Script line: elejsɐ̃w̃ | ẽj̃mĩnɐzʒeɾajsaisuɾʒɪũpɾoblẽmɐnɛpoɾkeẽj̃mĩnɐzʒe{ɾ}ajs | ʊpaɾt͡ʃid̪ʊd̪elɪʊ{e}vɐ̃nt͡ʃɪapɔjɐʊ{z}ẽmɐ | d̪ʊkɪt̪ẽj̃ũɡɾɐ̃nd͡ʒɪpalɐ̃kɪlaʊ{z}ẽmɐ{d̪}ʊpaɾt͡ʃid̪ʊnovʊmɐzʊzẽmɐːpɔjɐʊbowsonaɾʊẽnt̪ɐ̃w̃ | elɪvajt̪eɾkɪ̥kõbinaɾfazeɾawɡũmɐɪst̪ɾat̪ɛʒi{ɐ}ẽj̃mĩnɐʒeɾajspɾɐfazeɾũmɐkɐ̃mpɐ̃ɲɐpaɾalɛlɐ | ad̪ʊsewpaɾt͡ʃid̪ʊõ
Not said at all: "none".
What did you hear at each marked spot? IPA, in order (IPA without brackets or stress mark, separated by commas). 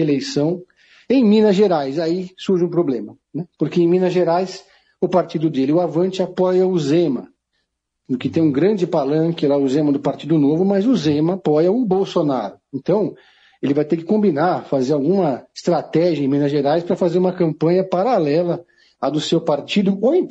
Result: ɾ, a, z, z, d̪, ɐ